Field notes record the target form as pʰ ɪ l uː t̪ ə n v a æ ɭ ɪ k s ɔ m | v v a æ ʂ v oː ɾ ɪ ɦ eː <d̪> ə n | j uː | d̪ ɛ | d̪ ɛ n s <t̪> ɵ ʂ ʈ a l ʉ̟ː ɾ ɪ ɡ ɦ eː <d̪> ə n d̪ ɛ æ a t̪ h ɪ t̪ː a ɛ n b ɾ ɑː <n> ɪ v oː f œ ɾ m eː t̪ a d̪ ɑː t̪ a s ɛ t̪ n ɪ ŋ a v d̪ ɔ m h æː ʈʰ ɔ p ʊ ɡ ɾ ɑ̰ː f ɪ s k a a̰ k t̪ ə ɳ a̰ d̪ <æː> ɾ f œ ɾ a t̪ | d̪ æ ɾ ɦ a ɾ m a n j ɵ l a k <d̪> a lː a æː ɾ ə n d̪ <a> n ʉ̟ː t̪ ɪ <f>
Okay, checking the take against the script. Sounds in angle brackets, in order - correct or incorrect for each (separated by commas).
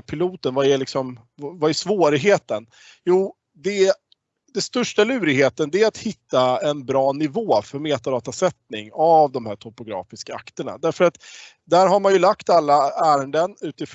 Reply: incorrect, correct, incorrect, correct, incorrect, incorrect, incorrect, correct